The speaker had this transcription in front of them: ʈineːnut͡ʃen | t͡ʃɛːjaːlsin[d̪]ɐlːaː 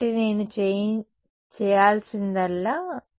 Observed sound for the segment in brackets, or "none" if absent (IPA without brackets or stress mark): d̪